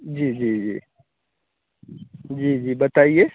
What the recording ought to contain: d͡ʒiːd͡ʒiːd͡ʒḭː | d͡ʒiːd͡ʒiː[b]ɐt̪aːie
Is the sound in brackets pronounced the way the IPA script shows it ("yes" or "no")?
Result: yes